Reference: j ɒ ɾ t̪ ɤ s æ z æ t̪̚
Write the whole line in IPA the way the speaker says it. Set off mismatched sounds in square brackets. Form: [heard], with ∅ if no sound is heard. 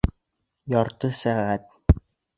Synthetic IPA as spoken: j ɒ ɾ t̪ ɤ s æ [ʁ] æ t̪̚